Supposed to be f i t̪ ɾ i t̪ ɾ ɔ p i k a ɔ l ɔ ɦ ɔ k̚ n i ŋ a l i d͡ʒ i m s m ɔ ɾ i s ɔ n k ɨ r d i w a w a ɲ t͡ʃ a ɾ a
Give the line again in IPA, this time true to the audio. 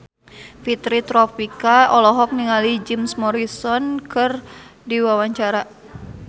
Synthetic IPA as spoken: f i t̪ ɾ i t̪ ɾ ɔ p i k a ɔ l ɔ ɦ ɔ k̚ n i ŋ a l i d͡ʒ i m s m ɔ ɾ i s ɔ n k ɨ r d i w a w a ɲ t͡ʃ a ɾ a